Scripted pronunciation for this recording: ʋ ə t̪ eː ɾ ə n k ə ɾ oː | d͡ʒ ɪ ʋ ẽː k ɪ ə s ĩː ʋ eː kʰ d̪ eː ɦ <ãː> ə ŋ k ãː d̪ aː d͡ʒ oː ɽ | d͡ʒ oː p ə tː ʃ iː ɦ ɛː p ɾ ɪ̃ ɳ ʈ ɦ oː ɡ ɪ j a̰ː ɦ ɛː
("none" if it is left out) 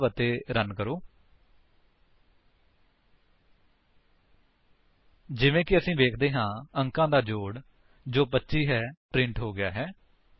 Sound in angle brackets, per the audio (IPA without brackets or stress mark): ãː